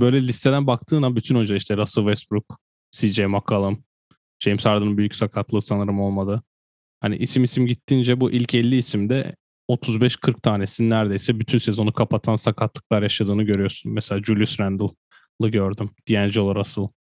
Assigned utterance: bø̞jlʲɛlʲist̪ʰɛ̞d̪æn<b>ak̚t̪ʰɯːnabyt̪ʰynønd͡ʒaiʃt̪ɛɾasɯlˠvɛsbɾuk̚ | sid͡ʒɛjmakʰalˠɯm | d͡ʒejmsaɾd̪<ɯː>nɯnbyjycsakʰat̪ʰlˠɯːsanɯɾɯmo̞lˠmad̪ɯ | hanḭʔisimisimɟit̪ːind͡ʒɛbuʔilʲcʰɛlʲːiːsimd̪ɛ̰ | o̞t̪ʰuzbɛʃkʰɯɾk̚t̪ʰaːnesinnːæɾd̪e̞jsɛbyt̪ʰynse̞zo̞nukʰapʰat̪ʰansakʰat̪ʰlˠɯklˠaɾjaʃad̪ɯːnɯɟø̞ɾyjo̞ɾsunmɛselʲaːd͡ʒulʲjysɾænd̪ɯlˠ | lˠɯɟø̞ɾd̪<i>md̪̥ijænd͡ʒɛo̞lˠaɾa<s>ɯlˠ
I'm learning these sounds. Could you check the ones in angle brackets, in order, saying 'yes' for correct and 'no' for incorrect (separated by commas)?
yes, no, no, yes